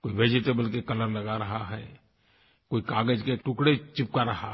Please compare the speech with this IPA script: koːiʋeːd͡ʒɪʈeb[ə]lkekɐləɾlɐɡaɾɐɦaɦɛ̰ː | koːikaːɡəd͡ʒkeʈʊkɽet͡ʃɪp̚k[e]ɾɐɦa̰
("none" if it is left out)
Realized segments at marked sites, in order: ə, a

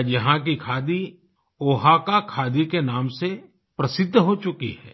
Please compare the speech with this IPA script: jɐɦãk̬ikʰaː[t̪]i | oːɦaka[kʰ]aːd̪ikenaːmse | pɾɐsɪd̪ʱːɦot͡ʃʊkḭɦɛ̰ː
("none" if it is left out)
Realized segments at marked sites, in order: d̪, kʰ

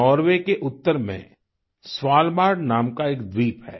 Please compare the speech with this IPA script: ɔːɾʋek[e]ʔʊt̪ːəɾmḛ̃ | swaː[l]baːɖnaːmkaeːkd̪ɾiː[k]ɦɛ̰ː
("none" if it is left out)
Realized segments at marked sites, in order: e, l, p

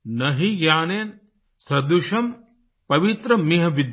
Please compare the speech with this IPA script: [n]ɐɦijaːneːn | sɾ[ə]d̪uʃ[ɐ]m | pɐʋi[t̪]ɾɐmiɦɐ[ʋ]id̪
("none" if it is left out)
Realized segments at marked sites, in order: n, ɐ, ɐ, t̪, ʋ

